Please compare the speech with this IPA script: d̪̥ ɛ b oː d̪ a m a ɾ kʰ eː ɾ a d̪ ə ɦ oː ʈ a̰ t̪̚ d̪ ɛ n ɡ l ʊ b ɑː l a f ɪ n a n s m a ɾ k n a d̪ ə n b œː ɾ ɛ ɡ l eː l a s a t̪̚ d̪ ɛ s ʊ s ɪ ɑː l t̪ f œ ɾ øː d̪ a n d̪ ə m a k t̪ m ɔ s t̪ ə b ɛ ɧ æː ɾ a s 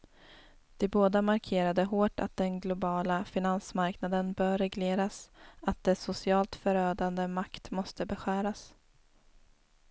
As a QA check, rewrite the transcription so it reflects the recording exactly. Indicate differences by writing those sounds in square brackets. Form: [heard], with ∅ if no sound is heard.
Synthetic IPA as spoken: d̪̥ ɛ b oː d̪ a m a ɾ kʰ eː ɾ a d̪ ə ɦ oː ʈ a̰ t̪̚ d̪ ɛ n ɡ l ʊ b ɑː l a f ɪ n a n s m a ɾ k n a d̪ ə n b œː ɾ ɛ ɡ l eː [ɾ] a s a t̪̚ d̪ ɛ s ʊ s ɪ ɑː l t̪ f œ ɾ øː d̪ a n d̪ ə m a k t̪ m ɔ s t̪ ə b ɛ ɧ æː ɾ a s